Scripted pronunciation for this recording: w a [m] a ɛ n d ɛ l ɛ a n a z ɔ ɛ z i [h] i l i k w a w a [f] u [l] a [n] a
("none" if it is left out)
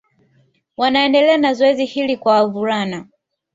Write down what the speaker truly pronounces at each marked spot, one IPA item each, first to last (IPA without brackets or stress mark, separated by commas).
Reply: n, h, v, ɾ, n